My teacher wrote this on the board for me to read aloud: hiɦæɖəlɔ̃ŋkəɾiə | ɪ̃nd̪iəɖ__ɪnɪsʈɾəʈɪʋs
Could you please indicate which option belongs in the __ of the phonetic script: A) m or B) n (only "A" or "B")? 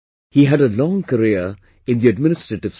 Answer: A